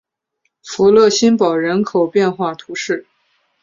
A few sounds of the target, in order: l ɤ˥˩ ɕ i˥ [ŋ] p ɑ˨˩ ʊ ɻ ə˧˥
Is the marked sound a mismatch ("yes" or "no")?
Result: yes